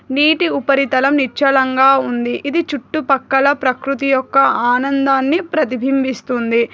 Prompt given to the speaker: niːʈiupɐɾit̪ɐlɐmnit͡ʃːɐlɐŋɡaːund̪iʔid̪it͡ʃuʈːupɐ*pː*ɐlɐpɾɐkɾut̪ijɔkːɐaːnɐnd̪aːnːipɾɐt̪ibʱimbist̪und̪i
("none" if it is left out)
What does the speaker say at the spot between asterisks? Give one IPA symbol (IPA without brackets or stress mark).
kː